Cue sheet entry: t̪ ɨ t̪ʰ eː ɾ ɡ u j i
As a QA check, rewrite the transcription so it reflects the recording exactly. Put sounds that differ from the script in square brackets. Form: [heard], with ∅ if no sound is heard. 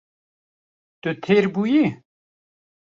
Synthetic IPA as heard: t̪ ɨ t̪ʰ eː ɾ [b] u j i